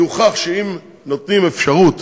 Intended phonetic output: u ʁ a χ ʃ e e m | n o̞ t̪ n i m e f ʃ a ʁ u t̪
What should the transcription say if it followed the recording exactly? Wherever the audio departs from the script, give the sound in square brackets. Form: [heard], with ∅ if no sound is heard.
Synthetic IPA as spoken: u [χ] a χ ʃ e [i] m | n o̞ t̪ n i m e f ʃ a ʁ u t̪